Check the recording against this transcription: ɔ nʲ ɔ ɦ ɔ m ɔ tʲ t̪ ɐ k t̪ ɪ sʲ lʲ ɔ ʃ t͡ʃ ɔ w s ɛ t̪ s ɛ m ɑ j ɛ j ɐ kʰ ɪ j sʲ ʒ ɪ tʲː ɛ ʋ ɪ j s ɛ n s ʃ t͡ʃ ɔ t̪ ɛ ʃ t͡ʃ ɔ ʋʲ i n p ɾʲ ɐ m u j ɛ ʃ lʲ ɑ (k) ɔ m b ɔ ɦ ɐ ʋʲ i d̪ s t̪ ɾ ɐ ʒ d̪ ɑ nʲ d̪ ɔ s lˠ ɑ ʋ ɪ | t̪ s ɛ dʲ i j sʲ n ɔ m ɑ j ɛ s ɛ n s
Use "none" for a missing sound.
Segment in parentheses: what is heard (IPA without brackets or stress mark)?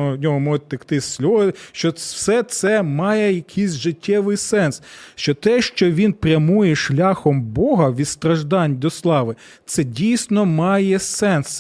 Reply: x